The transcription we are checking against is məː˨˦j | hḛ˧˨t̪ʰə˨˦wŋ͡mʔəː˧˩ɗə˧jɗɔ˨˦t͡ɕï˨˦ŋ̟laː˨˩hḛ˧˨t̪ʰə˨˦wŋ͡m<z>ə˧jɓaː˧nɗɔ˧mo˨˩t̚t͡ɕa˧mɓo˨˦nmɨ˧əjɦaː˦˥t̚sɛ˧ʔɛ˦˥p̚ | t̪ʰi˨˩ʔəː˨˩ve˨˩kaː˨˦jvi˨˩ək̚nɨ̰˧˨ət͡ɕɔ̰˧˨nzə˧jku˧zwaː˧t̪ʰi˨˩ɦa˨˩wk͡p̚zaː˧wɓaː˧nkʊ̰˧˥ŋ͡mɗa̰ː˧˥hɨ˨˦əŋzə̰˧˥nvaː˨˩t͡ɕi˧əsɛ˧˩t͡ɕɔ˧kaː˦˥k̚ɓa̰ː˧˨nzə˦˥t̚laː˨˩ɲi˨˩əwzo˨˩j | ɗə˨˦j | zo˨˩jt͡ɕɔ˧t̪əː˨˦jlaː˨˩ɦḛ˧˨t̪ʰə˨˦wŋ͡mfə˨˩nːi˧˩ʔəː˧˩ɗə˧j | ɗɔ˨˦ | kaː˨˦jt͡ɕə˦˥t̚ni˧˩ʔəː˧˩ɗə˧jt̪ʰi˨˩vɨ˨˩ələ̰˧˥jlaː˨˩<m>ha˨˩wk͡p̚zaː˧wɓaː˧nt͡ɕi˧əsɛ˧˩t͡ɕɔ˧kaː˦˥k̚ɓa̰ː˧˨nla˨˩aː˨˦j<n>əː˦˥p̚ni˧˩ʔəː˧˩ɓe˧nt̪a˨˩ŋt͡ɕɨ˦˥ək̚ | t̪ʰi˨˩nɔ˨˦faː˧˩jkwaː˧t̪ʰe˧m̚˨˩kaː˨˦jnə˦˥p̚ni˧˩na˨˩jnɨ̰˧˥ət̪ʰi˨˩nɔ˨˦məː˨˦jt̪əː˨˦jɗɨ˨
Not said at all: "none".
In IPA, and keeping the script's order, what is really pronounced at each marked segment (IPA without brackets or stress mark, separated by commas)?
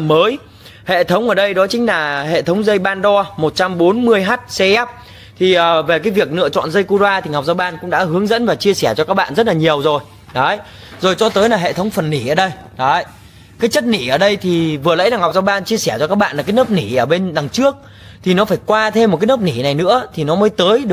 z, ŋ, n